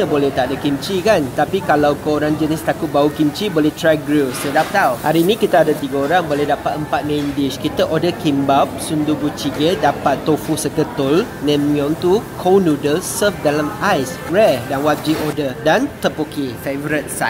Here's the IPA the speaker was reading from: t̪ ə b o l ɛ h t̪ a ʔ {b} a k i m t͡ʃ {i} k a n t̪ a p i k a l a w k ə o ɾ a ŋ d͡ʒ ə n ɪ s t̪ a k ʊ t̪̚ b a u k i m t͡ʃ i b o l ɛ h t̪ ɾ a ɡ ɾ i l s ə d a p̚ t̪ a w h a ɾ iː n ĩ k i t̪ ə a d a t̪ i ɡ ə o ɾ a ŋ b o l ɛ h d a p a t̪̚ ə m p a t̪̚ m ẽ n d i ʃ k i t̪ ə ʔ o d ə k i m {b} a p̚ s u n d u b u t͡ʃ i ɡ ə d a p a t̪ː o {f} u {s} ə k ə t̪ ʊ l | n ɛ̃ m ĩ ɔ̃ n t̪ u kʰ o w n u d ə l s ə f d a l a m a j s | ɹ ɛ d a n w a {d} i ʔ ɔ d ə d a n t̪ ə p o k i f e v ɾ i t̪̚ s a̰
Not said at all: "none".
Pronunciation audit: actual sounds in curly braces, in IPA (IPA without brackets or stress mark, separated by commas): d, i, b, f, s, d͡ʒ